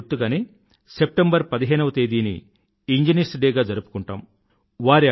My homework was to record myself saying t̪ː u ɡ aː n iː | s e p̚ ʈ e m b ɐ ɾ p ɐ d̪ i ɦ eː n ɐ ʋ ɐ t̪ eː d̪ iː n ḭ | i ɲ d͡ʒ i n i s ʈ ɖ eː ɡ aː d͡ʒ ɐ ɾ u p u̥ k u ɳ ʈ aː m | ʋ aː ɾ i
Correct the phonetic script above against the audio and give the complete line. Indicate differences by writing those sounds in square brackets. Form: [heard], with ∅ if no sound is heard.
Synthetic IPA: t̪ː u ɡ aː n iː | s e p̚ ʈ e m b ɐ ɾ p ɐ d̪ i ɦ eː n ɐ ʋ ɐ t̪ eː d̪ iː n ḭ | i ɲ d͡ʒ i n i s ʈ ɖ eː ɡ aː d͡ʒ ɐ ɾ u p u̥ k u ɳ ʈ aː m | ʋ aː ɾ i